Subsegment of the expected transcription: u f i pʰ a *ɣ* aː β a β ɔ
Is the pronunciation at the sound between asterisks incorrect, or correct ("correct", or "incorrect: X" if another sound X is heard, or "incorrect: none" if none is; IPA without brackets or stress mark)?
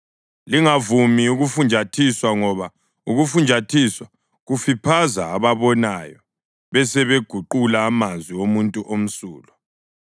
incorrect: z